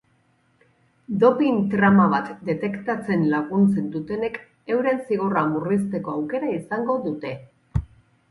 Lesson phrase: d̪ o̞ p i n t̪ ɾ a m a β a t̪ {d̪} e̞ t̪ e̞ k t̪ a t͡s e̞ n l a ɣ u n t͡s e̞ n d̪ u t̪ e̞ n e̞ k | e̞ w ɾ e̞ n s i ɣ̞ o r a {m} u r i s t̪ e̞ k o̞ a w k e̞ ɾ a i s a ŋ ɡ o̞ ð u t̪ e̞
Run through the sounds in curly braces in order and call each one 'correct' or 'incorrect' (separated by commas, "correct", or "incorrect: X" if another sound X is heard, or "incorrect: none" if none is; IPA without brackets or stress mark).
correct, correct